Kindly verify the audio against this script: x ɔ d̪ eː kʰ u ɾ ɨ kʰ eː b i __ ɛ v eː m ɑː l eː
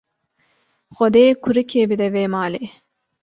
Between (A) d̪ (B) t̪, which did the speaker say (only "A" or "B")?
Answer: A